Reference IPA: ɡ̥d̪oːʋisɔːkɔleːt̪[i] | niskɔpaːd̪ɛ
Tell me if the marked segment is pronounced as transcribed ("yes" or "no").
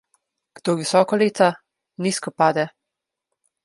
no